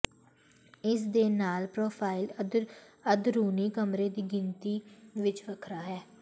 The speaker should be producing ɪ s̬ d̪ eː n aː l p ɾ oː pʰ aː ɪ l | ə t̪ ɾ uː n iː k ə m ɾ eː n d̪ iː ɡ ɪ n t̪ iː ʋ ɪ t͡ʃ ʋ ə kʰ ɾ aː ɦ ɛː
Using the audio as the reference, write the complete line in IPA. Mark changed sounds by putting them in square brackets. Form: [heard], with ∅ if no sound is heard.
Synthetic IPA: ɪ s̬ d̪ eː n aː l p ɾ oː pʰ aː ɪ l | ə [d̪] ɾ uː n iː k ə m ɾ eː [∅] d̪ iː ɡ ɪ n t̪ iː ʋ ɪ t͡ʃ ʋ ə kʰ ɾ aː ɦ ɛː